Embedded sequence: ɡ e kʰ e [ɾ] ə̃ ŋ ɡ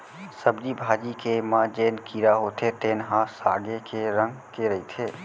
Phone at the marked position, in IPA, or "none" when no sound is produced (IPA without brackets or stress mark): ɾ